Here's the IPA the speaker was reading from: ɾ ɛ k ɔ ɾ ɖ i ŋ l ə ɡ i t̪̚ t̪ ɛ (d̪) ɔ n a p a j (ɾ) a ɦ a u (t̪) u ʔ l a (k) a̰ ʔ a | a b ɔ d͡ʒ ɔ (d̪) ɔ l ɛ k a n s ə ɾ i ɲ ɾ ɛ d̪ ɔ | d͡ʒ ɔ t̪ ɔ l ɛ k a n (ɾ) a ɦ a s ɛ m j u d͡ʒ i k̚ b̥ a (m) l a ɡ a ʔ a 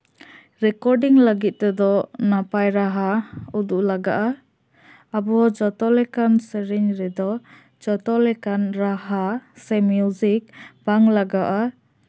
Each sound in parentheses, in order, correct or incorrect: correct, correct, incorrect, incorrect, incorrect, correct, incorrect

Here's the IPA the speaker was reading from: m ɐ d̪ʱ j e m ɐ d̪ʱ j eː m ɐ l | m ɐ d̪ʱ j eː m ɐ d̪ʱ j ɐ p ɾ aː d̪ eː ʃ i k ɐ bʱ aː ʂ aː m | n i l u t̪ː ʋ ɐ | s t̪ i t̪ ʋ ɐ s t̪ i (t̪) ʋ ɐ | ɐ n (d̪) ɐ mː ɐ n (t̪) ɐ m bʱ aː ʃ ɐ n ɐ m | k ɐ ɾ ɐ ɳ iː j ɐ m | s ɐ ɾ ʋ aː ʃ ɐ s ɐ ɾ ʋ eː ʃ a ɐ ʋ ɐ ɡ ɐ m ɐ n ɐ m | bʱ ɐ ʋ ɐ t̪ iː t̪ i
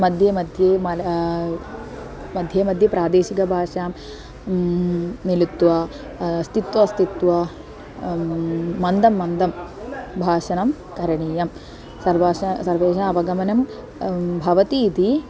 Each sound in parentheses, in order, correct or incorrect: correct, correct, incorrect

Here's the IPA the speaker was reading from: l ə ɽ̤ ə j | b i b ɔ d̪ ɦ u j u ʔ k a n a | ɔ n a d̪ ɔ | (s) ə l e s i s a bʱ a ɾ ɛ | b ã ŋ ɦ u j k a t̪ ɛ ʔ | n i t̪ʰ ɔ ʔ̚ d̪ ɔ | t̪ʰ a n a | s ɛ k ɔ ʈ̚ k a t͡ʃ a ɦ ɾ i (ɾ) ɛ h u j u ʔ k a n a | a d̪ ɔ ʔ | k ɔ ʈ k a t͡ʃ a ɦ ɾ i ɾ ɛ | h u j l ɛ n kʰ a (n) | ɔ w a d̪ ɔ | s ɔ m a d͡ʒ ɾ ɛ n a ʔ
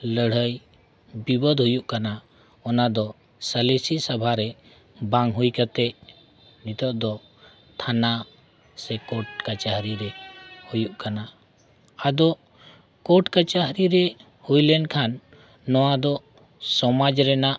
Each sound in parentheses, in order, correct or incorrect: correct, correct, incorrect

